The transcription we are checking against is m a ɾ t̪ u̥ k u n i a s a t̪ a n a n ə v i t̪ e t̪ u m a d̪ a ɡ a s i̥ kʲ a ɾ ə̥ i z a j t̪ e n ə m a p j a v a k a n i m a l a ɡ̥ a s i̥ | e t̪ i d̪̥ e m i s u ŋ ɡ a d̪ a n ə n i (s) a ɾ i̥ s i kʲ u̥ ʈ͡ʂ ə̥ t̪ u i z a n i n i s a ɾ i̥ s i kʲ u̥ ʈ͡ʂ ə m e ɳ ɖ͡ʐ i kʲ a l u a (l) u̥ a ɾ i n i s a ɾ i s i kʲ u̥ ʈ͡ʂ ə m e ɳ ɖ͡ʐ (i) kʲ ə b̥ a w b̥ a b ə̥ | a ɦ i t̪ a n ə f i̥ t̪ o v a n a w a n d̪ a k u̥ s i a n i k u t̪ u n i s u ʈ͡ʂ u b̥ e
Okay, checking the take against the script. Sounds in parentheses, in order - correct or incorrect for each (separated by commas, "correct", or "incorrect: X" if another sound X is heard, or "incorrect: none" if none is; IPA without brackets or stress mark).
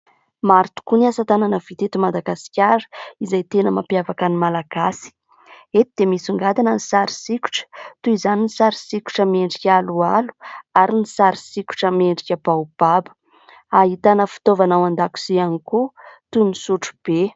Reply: correct, correct, correct